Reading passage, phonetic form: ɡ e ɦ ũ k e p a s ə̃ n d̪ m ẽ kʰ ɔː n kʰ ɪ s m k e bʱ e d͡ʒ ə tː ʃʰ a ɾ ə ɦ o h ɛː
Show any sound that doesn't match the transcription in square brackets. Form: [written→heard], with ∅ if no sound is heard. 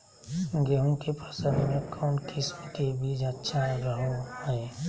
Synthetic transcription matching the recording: ɡ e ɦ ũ k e p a s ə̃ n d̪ m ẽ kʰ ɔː n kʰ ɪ s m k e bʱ [e→i] d͡ʒ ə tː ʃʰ a ɾ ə ɦ o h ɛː

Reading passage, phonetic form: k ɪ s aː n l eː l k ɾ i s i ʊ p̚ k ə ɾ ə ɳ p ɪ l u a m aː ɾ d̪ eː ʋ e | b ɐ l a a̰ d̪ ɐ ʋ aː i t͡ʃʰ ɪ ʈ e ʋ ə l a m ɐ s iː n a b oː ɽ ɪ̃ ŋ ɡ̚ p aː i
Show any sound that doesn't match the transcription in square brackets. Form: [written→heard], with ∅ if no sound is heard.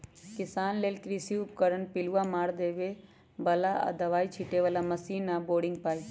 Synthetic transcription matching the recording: k ɪ s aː n l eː l k ɾ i s i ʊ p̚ k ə ɾ ə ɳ p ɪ l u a m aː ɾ d̪ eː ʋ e | b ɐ l a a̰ d̪ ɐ ʋ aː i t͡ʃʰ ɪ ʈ e ʋ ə l a m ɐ s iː n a b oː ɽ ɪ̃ ŋ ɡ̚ p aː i

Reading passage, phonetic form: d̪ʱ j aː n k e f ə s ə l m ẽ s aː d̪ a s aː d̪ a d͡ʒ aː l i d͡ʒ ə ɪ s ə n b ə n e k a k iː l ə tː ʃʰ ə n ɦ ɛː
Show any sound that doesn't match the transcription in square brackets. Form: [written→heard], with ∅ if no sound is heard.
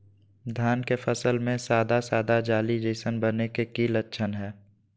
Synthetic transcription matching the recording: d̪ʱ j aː n k e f ə s ə l m ẽ s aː d̪ a s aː d̪ a d͡ʒ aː l i d͡ʒ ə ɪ s ə n b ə n e k [a→e] k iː l ə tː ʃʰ ə n ɦ ɛː

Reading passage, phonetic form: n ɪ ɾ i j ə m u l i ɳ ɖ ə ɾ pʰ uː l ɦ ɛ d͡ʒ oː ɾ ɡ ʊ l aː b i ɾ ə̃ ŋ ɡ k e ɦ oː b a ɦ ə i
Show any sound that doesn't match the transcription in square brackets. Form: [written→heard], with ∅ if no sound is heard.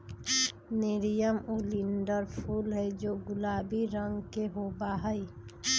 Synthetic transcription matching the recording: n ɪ ɾ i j ə m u l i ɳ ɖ ə ɾ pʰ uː l ɦ ɛ d͡ʒ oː [ɾ→∅] ɡ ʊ l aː b i ɾ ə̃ ŋ ɡ k e ɦ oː b a ɦ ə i

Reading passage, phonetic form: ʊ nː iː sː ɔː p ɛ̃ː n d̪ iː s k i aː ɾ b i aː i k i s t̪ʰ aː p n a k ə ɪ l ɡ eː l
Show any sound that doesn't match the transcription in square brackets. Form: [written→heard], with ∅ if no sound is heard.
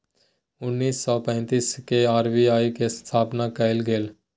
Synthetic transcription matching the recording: ʊ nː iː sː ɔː p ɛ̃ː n [d̪→t̪] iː s k [i→e] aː ɾ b i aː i k [i→e] s t̪ʰ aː p n a k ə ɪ l ɡ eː l

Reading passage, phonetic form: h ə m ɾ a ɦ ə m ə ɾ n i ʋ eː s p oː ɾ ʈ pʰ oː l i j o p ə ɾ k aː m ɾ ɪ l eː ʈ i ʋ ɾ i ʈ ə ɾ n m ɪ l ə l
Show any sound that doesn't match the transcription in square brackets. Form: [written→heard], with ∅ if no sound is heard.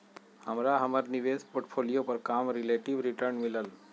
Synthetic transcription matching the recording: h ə m ɾ a ɦ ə m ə ɾ n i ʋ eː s p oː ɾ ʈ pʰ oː l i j o p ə ɾ k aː m ɾ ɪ l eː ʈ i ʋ ɾ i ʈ ə ɾ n m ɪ l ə l

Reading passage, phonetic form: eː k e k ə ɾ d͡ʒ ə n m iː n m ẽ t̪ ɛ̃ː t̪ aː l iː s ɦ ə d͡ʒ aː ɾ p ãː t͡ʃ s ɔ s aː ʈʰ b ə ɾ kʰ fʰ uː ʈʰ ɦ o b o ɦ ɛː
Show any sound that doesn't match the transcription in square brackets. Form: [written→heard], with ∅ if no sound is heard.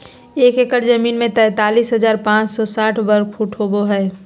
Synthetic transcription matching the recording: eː k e k ə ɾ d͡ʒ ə [n→∅] m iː n m ẽ t̪ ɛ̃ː t̪ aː l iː s ɦ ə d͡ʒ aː ɾ p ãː t͡ʃ s ɔ s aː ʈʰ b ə ɾ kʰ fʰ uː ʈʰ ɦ o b o ɦ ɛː

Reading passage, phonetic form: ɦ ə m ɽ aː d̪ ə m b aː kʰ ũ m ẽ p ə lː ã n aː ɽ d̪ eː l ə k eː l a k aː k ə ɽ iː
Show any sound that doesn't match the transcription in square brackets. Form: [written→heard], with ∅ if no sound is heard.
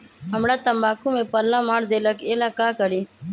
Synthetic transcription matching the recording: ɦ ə m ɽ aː [d̪→t̪] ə m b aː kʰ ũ m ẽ p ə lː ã [n→m] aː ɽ d̪ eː l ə k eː l a k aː k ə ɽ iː

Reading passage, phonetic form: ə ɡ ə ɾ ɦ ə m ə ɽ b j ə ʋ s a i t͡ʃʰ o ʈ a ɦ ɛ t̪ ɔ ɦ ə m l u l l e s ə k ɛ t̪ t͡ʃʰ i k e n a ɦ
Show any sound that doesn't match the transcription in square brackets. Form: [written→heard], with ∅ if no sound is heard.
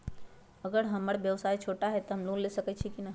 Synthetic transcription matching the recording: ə ɡ ə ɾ ɦ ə m ə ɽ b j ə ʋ s a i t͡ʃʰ o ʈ a ɦ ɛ t̪ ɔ ɦ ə m l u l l e s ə k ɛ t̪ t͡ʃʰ i k [e→i] n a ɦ

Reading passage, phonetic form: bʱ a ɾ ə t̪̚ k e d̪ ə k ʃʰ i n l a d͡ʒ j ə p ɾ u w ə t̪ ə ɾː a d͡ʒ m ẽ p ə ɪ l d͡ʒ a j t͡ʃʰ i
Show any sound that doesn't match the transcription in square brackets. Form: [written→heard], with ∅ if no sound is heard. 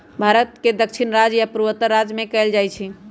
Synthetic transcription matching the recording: bʱ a ɾ ə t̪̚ k e d̪ ə k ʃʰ i n [l→ɾ] a d͡ʒ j [ə→a] p ɾ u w ə t̪ ə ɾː a d͡ʒ m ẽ [p→k] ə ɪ l d͡ʒ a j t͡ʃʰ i

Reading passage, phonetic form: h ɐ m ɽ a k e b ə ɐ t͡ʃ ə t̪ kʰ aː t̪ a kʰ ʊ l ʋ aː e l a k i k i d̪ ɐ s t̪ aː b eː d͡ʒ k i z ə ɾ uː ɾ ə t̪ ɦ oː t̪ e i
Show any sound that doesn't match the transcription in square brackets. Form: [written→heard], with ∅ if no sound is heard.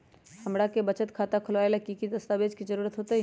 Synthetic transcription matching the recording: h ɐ m ɽ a k e b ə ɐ t͡ʃ ə t̪ kʰ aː t̪ a kʰ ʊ l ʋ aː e l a k i k i d̪ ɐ s t̪ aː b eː d͡ʒ k i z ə ɾ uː ɾ ə t̪ ɦ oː t̪ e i

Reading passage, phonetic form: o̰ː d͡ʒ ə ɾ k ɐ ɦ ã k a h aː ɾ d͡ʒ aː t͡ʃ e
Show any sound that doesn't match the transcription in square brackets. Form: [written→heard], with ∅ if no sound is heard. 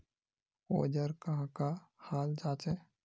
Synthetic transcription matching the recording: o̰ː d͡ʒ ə ɾ k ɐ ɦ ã k a h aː [ɾ→l] d͡ʒ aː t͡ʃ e

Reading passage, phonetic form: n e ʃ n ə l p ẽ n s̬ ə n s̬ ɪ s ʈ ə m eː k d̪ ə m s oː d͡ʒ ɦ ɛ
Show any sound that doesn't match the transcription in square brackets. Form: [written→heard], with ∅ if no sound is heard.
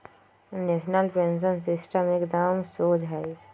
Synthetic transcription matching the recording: n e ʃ n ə l p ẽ n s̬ ə n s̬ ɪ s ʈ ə m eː k d̪ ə m s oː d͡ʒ ɦ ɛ

